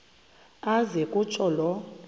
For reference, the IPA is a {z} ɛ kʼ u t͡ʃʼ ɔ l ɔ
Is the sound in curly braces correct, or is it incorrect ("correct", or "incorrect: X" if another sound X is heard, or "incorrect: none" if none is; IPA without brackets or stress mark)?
correct